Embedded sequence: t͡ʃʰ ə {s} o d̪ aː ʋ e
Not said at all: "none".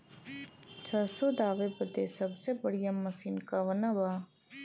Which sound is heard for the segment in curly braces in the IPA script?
s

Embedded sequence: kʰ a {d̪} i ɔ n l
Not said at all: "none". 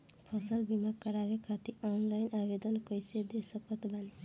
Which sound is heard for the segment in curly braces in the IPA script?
t̪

